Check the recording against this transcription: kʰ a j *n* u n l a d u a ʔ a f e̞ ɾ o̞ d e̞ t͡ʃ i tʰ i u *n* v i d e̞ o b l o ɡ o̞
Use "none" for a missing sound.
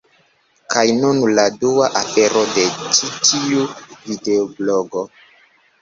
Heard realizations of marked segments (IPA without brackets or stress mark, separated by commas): n, none